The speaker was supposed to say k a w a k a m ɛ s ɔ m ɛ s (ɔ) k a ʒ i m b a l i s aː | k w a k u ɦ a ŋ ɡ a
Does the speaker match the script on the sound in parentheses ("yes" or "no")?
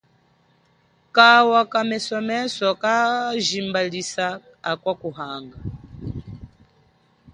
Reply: yes